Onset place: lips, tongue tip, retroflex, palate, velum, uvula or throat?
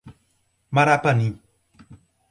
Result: lips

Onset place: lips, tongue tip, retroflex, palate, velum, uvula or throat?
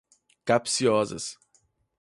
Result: velum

